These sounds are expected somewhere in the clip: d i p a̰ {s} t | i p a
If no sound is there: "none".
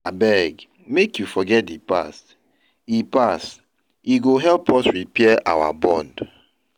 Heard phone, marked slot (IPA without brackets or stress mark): s